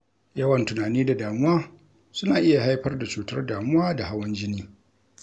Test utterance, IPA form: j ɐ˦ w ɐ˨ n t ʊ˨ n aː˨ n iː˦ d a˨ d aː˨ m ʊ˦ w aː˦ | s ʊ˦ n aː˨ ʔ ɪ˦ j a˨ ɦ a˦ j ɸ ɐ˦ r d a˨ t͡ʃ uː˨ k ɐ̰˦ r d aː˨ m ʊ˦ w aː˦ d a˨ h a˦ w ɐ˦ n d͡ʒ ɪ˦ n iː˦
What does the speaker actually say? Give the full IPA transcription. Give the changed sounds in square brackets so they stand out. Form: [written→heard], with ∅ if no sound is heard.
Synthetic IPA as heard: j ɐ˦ w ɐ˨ n t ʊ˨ n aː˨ n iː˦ d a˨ d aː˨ m ʊ˦ w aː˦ | s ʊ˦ n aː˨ ʔ ɪ˦ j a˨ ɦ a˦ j ɸ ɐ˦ r d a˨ t͡ʃ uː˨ [k→t] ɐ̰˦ r d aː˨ m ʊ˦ w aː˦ d a˨ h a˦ w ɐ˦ n d͡ʒ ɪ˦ n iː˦